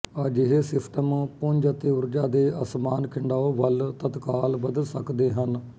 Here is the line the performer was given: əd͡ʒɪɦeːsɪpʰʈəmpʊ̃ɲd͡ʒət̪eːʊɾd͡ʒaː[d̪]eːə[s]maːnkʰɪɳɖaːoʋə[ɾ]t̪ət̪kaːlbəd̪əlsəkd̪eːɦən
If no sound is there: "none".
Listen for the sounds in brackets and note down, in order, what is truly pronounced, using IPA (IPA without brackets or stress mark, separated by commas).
d̪, s, l